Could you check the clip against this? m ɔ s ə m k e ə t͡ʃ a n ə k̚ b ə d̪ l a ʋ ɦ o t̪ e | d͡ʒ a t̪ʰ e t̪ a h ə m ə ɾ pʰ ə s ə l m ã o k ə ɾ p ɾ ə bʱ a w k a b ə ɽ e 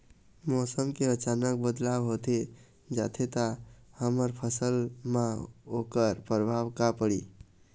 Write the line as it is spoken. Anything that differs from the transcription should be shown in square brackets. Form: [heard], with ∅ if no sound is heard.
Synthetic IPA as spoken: m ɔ s ə m k e ə t͡ʃ a n ə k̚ b ə d̪ l a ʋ ɦ o t̪ e | d͡ʒ a t̪ʰ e t̪ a h ə m ə ɾ pʰ ə s ə l m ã o k ə ɾ p ɾ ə bʱ a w k a [p] ə ɽ [i]

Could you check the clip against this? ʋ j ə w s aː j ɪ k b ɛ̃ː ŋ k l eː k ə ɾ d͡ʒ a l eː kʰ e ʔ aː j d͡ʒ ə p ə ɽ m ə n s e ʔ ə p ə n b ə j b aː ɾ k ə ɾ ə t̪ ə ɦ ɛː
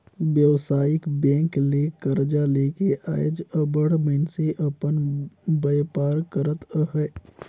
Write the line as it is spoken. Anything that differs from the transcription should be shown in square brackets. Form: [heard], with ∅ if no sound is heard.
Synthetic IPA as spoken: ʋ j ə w s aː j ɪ k b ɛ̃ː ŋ k l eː k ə ɾ d͡ʒ a l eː [k] e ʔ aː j d͡ʒ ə [b] ə ɽ m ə n s e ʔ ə p ə n b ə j [p] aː ɾ k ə ɾ ə t̪ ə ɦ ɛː

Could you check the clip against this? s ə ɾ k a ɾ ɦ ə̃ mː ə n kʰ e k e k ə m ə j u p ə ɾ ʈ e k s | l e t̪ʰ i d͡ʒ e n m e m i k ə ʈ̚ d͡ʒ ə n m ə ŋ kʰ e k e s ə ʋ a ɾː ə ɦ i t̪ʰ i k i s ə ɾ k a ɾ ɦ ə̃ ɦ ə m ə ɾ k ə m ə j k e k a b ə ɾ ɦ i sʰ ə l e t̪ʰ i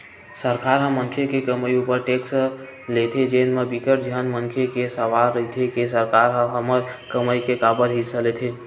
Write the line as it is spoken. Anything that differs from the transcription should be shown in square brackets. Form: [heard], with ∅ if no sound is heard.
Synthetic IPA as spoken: s ə ɾ k a ɾ ɦ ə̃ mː ə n kʰ e k e k ə m ə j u p ə ɾ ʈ e k s | l e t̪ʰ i d͡ʒ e n m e [b] i k ə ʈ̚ d͡ʒ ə n m ə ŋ kʰ e k e s ə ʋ a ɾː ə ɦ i t̪ʰ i k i s ə ɾ k a ɾ ɦ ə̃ ɦ ə m ə ɾ k ə m ə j k e k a b ə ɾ ɦ i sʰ ə l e t̪ʰ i

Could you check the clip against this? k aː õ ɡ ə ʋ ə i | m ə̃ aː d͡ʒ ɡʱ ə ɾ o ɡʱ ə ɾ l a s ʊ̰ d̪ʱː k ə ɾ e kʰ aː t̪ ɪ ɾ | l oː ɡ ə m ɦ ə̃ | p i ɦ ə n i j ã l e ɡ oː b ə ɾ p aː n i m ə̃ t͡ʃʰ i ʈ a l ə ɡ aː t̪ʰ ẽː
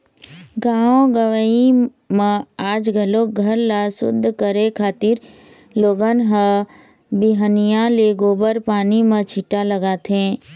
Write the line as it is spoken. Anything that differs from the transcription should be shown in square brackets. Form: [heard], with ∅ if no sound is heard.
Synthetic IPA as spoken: [ɡ] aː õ ɡ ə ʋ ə i | m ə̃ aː d͡ʒ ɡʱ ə [l] o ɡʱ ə ɾ l a s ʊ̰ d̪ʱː k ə ɾ e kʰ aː t̪ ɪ ɾ | l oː ɡ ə [n] ɦ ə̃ | [b] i ɦ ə n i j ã l e ɡ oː b ə ɾ p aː n i m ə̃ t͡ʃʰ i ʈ a l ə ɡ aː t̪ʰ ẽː

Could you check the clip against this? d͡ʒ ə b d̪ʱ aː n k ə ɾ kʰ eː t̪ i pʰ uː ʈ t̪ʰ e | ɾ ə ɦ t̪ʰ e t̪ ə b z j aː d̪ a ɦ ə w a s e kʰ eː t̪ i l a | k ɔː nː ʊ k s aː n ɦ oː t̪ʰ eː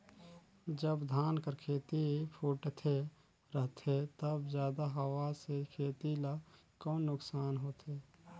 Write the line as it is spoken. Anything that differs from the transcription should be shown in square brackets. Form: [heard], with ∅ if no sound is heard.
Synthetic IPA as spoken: d͡ʒ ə b d̪ʱ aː n k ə ɾ kʰ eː t̪ i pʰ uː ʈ t̪ʰ e | ɾ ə ɦ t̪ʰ e t̪ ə b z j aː d̪ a ɦ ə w a s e kʰ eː t̪ i l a | k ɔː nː ʊ k s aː n ɦ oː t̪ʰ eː

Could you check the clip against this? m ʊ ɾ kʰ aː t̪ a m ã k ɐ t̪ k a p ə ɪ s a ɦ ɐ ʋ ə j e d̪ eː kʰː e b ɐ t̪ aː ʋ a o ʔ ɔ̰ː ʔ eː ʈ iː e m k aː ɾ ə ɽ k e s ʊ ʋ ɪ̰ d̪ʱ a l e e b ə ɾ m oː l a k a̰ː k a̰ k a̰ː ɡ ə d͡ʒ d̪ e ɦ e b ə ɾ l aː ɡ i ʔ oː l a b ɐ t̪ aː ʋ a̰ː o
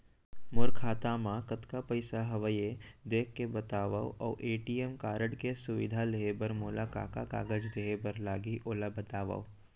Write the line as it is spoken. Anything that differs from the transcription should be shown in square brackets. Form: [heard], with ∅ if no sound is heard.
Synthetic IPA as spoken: m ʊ ɾ kʰ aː t̪ a m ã k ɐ t̪ k a p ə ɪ s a ɦ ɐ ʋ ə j e d̪ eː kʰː e b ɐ t̪ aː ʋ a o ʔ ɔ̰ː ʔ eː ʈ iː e m k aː ɾ ə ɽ k e s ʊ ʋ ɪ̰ d̪ʱ a l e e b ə ɾ m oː l a k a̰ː k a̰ k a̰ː ɡ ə d͡ʒ d̪ e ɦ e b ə ɾ l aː ɡ i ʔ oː l a b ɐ t̪ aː ʋ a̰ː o

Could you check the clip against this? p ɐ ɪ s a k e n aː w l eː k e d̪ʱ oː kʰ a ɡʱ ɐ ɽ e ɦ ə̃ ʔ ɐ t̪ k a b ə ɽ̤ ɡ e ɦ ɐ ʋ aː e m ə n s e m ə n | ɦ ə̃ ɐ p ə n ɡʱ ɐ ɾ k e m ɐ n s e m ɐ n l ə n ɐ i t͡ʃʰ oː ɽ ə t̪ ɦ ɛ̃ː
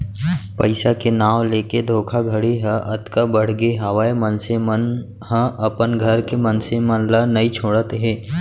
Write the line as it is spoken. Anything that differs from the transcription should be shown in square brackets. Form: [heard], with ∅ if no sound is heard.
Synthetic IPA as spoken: p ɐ ɪ s a k e n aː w l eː k e d̪ʱ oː kʰ a ɡʱ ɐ ɽ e ɦ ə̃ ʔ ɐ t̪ k a b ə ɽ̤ ɡ e ɦ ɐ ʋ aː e m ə n s e m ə n | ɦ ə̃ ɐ p ə n ɡʱ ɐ ɾ k e m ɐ n s e m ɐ n l [a] n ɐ i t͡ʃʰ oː ɽ ə t̪ ɦ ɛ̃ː

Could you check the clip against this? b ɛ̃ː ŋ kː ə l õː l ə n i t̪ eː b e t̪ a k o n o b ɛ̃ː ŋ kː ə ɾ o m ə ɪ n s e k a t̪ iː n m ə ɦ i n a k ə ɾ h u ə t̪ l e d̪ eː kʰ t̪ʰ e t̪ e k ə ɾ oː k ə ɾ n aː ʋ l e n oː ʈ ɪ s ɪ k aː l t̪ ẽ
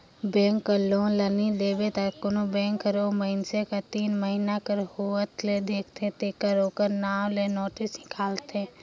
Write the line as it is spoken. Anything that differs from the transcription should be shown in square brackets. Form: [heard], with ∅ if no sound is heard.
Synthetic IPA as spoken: b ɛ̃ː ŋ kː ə l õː l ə n i [d̪] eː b e t̪ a k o n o b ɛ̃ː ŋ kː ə ɾ o m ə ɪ n s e k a t̪ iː n m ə ɦ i n a k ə ɾ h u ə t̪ l e d̪ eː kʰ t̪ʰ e t̪ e k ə ɾ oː k ə ɾ n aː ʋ l e n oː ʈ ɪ s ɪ k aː l t̪ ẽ

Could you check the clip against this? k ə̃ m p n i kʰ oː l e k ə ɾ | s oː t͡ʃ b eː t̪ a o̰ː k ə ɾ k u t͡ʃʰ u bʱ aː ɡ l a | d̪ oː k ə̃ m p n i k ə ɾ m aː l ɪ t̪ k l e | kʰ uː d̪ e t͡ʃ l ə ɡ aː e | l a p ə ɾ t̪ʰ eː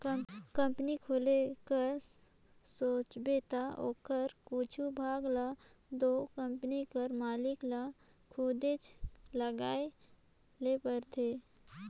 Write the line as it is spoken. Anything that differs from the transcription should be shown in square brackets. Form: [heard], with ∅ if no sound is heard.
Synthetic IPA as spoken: k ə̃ m p n i kʰ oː l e k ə ɾ | s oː t͡ʃ b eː t̪ a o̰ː k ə ɾ k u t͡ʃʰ u bʱ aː ɡ l a | d̪ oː k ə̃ m p n i k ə ɾ m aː l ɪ [∅] k l [a] | kʰ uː d̪ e t͡ʃ l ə ɡ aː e | l [e] p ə ɾ t̪ʰ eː

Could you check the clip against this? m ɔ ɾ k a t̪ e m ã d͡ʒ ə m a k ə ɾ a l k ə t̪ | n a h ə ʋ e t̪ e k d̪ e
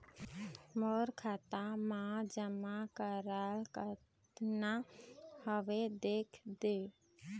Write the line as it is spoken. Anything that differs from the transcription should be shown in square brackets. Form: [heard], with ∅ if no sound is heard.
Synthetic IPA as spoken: m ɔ ɾ [kʰ] a t̪ [a] m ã d͡ʒ ə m a k ə ɾ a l k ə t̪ | n a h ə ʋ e [d̪] e [kʰ] d̪ e

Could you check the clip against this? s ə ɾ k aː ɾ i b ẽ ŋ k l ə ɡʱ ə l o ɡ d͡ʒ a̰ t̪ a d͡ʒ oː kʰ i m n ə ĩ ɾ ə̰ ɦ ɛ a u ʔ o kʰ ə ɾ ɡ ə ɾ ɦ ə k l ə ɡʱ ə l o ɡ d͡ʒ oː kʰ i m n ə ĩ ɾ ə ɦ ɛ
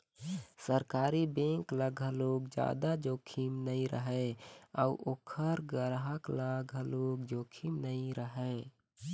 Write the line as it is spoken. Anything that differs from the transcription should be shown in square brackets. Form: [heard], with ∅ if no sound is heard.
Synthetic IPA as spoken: s ə ɾ k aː ɾ i b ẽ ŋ k l ə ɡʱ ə l o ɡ d͡ʒ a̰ [d̪] a d͡ʒ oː kʰ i m n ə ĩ ɾ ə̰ ɦ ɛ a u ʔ o kʰ ə ɾ ɡ ə ɾ ɦ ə k l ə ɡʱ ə l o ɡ d͡ʒ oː kʰ i m n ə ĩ ɾ ə ɦ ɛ

